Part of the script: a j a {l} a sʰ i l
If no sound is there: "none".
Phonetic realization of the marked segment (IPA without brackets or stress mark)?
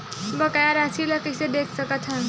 ɾ